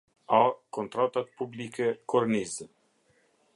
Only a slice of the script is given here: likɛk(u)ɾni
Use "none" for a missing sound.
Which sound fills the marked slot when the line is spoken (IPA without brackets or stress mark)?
ɔ